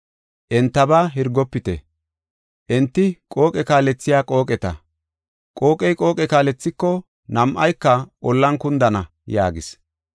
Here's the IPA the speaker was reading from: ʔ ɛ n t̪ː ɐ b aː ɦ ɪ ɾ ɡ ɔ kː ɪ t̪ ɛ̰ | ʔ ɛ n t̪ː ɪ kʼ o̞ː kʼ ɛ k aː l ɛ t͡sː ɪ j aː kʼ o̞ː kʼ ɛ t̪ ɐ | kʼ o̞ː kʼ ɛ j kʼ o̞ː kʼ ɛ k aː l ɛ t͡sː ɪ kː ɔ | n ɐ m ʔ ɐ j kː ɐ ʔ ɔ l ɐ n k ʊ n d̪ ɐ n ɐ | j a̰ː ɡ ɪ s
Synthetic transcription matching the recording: ʔ ɛ n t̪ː ɐ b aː ɦ ɪ ɾ ɡ ɔ pː ɪ t̪ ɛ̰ | ʔ ɛ n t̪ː ɪ kʼ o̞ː kʼ ɛ k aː l ɛ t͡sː ɪ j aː kʼ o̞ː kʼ ɛ t̪ ɐ | kʼ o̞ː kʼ ɛ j kʼ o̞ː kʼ ɛ k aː l ɛ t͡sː ɪ kː ɔ | n ɐ m ʔ ɐ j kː ɐ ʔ ɔ lː ɐ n k ʊ n d̪ ɐ n ɐ | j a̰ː ɡ ɪ s